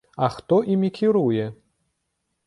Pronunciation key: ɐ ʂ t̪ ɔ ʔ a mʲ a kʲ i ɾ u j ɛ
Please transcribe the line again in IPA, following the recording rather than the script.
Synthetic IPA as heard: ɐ x t̪ ɔ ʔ i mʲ i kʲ i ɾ u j ɛ